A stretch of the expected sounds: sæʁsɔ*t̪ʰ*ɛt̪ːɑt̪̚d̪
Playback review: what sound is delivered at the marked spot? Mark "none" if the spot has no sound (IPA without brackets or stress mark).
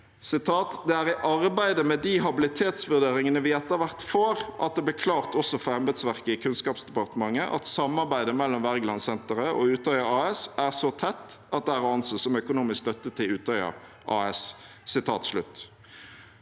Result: t̪ʰ